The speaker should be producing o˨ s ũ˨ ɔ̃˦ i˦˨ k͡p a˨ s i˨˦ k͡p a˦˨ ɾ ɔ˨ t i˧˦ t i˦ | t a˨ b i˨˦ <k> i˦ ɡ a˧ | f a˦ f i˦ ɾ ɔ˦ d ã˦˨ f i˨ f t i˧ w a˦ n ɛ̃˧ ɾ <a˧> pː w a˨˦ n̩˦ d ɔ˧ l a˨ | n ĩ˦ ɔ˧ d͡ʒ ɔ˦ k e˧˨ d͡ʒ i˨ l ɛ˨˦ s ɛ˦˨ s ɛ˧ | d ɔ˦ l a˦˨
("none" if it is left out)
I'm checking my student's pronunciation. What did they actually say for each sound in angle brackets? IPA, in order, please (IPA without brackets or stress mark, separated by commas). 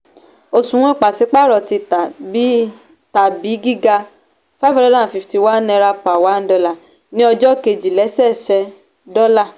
ɡ, a˧